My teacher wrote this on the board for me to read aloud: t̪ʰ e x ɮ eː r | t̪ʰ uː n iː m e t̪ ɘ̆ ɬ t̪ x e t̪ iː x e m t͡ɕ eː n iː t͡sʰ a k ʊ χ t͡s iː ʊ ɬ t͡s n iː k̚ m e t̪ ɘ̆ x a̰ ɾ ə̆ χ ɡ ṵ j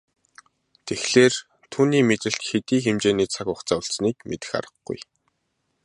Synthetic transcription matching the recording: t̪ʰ e x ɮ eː r | t̪ʰ uː n iː m e t̪ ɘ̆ ɬ t̪ x e t̪ iː x e m t͡ɕ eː n iː t͡sʰ a k ʊ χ t͡s aː ʊ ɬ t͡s n iː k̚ m e t̪ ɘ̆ x a̰ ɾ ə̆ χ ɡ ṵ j